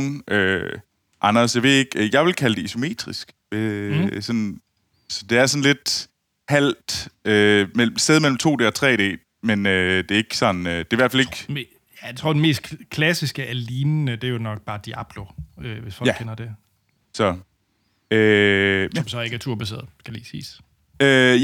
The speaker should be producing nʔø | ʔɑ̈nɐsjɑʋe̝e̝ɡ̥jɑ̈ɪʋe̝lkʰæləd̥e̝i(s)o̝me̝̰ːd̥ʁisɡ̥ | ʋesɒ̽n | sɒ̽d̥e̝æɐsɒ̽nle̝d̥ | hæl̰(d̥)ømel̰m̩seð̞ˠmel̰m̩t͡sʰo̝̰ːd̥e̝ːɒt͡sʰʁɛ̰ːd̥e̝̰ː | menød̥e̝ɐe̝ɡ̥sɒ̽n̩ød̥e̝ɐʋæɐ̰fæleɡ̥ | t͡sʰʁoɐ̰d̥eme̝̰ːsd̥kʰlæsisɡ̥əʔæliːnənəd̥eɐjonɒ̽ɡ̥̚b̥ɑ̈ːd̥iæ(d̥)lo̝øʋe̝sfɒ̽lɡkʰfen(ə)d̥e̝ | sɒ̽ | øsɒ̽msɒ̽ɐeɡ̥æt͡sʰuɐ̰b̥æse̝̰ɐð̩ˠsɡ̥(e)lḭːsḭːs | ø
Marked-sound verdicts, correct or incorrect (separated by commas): correct, correct, incorrect, incorrect, incorrect